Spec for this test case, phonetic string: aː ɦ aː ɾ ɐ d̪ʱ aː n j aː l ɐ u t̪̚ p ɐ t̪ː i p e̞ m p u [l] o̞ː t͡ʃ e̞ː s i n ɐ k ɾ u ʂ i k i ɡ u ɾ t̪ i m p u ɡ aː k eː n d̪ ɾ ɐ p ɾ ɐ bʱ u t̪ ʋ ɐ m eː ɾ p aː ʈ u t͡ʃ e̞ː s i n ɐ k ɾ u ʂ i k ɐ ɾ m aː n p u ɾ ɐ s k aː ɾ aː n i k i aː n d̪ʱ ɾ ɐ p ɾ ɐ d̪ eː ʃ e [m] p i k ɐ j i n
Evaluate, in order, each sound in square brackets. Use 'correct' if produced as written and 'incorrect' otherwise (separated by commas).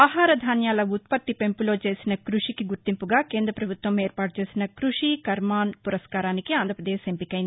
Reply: correct, correct